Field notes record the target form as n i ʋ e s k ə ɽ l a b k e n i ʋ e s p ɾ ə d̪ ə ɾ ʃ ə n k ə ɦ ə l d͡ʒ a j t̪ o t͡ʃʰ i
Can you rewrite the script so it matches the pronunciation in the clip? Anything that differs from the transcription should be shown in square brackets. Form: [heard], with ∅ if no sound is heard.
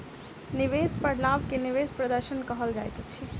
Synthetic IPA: n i ʋ e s [p] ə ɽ l a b k e n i ʋ e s p ɾ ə d̪ ə ɾ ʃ ə n k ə ɦ ə l d͡ʒ a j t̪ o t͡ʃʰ i